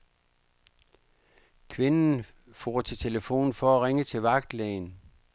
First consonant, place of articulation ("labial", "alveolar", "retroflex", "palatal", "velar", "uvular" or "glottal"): velar